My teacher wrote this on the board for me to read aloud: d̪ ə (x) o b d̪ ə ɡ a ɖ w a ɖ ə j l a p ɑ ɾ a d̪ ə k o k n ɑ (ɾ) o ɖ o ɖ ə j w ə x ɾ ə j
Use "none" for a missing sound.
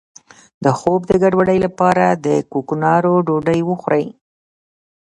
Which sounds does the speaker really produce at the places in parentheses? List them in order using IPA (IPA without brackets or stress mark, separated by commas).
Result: x, ɾ